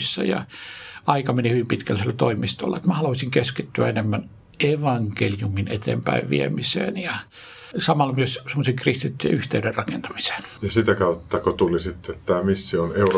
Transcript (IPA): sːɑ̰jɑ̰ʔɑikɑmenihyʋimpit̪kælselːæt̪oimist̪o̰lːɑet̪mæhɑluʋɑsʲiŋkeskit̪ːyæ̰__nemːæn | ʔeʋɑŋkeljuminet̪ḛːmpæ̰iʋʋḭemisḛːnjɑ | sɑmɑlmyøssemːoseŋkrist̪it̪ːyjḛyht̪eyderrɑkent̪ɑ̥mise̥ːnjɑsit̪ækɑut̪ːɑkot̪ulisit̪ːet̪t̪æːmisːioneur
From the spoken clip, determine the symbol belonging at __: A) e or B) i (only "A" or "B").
A